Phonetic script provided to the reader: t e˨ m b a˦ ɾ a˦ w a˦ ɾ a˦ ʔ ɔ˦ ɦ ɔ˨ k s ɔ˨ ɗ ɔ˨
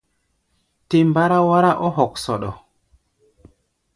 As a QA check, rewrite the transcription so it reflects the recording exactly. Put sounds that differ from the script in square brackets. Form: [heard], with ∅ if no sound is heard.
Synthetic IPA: t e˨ m b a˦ ɾ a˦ w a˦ ɾ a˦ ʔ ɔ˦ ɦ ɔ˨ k s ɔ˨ ɗ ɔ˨